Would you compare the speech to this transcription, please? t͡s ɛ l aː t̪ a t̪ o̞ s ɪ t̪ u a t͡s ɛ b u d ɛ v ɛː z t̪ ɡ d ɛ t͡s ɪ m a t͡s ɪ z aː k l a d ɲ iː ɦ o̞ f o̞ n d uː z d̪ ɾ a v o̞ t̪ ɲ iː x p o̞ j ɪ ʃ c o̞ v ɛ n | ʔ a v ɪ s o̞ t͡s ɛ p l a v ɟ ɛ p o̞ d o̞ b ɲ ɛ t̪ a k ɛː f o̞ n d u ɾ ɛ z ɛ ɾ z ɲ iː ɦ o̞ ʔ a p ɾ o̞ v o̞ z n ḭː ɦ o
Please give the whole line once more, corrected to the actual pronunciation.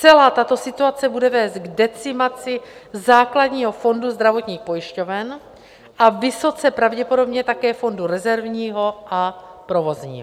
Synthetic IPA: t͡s ɛ l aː t̪ a t̪ o̞ s ɪ t̪ u a t͡s ɛ b u d ɛ v ɛː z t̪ ɡ d ɛ t͡s ɪ m a t͡s ɪ z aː k l a d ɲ iː ɦ o̞ f o̞ n d u z d̪ ɾ a v o̞ t̪ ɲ iː x p o̞ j ɪ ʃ c o̞ v ɛ n | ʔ a v ɪ s o̞ t͡s ɛ p ɾ a v ɟ ɛ p o̞ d o̞ b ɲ ɛ t̪ a k ɛː f o̞ n d u ɾ ɛ z ɛ ɾ v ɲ iː ɦ o̞ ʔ a p ɾ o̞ v o̞ z ɲ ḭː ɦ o